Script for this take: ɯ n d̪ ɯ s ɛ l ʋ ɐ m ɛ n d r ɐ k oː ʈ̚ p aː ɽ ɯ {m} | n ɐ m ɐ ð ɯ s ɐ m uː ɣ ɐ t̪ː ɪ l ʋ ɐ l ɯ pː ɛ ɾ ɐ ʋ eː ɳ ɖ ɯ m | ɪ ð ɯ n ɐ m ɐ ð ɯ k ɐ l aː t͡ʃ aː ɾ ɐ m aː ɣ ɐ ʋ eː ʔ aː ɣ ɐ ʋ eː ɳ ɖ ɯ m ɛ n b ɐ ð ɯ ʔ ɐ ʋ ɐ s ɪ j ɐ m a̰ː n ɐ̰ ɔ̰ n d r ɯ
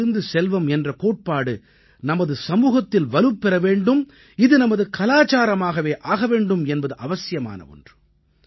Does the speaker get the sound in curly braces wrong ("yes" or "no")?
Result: yes